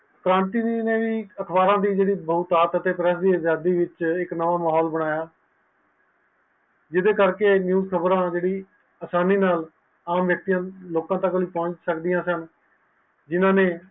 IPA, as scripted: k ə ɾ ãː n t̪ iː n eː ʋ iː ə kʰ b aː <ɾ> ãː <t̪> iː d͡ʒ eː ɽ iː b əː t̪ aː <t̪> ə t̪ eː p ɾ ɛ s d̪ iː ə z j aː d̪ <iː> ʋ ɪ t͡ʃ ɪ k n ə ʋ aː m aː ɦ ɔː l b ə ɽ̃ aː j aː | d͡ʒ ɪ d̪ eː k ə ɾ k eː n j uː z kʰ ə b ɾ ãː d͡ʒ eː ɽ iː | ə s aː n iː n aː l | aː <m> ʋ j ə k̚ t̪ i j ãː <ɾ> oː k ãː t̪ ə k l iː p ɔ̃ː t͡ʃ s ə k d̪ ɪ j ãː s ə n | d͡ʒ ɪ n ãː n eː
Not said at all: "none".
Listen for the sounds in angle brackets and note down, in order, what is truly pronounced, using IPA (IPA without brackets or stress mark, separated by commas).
ɾ, d̪, t̪, iː, m, l